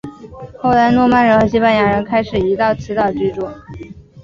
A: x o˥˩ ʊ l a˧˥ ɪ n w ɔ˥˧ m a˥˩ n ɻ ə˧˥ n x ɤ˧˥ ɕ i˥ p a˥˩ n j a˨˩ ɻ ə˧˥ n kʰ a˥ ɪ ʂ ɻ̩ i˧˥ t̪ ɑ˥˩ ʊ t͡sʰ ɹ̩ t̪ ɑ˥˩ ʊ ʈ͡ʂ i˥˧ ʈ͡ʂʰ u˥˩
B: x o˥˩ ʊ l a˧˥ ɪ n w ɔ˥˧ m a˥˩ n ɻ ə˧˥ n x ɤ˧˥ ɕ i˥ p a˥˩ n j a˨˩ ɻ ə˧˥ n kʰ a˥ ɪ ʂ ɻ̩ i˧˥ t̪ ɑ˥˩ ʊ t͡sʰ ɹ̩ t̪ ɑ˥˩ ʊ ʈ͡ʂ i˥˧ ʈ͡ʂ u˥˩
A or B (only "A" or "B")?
B